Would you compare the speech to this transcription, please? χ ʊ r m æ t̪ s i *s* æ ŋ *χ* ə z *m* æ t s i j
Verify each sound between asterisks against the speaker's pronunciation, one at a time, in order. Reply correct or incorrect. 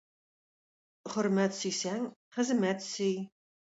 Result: correct, correct, correct

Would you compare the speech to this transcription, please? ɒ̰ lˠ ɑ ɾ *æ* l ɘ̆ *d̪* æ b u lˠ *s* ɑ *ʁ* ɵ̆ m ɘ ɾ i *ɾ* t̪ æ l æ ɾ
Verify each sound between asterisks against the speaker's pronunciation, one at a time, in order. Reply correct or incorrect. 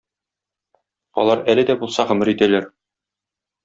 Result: correct, correct, correct, correct, incorrect

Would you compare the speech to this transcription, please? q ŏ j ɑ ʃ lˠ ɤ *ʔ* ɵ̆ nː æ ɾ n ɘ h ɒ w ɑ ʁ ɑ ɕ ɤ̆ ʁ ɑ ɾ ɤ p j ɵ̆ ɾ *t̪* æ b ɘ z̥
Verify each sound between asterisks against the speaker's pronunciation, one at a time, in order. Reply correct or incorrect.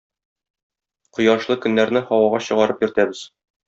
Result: incorrect, correct

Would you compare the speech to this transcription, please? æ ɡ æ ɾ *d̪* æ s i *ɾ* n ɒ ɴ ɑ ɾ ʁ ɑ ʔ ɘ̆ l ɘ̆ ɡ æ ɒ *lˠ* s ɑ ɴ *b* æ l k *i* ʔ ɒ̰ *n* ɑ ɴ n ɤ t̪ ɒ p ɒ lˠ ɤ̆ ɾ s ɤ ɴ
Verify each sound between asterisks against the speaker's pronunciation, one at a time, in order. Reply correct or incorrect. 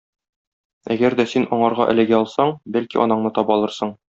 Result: correct, incorrect, correct, correct, correct, correct

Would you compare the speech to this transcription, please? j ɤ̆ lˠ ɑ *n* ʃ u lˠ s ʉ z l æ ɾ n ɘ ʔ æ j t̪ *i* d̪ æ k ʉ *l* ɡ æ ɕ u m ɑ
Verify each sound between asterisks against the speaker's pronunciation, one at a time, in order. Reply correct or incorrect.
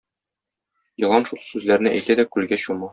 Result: correct, incorrect, correct

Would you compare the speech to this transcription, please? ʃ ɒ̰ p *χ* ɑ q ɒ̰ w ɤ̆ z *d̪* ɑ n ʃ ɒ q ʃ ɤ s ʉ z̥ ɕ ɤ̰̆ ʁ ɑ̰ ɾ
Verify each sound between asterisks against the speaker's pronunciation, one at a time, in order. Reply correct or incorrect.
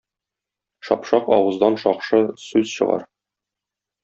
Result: incorrect, correct

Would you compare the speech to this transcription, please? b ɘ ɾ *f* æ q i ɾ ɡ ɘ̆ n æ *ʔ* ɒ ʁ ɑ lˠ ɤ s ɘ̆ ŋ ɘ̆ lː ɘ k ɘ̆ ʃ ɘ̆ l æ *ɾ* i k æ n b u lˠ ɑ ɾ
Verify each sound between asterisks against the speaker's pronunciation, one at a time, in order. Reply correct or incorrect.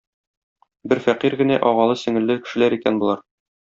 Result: correct, correct, correct

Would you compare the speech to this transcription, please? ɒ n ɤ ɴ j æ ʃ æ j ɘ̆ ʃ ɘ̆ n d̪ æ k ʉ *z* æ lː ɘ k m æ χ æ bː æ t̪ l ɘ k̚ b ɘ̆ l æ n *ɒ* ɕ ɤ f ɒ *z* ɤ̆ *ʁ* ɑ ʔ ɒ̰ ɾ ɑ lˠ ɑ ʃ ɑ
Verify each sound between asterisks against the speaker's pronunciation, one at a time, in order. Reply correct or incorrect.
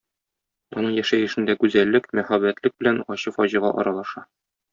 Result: correct, correct, incorrect, correct

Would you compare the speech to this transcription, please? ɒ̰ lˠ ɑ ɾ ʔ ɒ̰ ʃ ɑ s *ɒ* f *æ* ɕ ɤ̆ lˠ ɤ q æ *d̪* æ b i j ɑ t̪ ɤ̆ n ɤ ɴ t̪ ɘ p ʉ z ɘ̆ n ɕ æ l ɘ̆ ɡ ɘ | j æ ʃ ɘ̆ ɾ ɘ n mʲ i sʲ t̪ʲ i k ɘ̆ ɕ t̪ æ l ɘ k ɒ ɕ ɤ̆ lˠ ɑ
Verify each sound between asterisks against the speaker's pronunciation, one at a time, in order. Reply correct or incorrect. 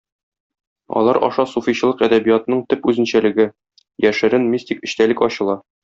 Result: incorrect, incorrect, correct

